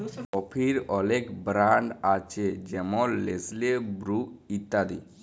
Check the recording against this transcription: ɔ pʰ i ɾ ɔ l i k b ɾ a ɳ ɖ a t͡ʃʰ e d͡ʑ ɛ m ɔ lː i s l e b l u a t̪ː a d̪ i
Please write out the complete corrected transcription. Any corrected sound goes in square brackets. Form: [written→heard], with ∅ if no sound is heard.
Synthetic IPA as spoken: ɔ pʰ i ɾ ɔ l [i→e] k b ɾ a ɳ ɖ a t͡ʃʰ e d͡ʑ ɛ m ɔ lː [i→e] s l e b [l→ɾ] u [a→i] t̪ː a d̪ i